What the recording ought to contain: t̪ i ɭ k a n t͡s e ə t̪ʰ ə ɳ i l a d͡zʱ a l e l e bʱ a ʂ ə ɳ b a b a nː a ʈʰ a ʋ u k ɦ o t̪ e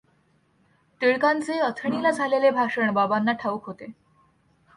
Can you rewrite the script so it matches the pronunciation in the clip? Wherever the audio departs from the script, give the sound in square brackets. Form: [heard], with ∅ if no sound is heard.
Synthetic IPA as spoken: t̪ i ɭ k a n t͡s e ə t̪ʰ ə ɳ i l a d͡zʱ a l e l e bʱ a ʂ ə ɳ b a b a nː a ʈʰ a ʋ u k ɦ o t̪ e